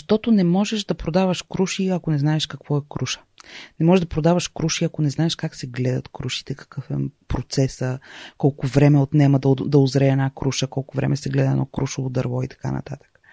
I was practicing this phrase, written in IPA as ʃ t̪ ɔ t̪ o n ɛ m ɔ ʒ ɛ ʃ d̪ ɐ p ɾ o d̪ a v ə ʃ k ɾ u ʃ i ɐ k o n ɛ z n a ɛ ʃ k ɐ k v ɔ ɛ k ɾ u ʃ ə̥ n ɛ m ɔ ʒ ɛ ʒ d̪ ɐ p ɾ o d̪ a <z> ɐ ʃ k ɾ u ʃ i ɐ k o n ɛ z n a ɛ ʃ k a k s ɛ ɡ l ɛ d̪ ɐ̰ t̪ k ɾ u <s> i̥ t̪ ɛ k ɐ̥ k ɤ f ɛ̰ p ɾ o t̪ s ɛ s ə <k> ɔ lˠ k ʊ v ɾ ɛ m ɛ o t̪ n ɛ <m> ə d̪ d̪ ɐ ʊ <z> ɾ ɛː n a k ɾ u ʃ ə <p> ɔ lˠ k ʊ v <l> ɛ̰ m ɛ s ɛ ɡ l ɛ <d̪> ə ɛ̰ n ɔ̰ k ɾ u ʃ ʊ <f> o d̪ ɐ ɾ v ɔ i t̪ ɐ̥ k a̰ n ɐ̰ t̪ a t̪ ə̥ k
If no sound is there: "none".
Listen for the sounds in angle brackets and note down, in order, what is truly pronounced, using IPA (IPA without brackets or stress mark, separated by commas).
v, ʃ, k, m, z, k, ɾ, d̪, v